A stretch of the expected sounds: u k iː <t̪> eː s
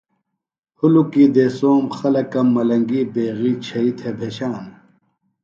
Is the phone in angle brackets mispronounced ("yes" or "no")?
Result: yes